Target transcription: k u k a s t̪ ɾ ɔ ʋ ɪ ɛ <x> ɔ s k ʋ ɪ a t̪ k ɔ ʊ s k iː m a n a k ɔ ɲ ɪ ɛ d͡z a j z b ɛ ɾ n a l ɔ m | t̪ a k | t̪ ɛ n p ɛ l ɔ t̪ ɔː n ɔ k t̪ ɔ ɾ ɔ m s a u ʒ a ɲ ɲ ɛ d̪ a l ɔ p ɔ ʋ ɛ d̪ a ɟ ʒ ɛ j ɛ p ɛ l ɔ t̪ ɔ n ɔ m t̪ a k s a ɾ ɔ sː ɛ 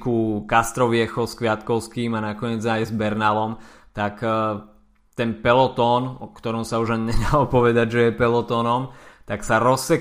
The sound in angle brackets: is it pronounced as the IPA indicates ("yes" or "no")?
yes